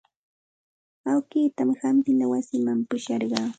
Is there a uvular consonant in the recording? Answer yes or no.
yes